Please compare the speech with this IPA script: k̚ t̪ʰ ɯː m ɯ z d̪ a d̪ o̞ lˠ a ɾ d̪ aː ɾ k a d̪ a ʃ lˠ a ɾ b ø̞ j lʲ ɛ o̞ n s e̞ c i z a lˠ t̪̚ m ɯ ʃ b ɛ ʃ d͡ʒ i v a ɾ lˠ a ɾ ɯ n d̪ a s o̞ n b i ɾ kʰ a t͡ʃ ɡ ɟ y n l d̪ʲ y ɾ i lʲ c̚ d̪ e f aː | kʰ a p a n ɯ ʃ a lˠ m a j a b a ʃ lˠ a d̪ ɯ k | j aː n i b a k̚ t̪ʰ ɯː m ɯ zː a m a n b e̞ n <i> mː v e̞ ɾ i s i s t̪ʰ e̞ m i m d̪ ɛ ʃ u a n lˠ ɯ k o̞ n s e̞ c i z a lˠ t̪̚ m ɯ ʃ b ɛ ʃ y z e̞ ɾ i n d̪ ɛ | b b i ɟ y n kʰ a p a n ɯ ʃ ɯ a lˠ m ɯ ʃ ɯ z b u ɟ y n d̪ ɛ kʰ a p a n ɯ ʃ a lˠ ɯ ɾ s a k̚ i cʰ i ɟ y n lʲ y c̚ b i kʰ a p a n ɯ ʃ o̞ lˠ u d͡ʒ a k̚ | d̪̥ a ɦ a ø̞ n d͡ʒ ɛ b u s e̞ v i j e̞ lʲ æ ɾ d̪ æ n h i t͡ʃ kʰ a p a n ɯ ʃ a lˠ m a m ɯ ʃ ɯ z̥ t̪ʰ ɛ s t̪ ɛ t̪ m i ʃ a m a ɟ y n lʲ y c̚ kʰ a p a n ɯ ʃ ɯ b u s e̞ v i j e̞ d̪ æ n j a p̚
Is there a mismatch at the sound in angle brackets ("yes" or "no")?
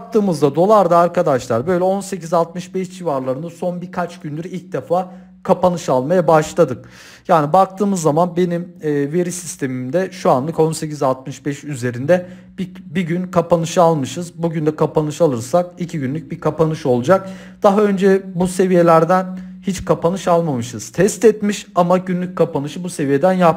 no